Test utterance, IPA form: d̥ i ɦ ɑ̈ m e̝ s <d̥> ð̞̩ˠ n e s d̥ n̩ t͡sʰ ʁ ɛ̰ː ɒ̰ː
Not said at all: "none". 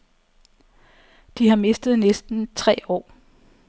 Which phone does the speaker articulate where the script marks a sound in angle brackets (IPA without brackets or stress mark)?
d̥